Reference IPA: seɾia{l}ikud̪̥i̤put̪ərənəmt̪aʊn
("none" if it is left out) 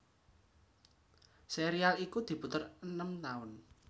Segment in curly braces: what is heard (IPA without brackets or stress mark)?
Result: l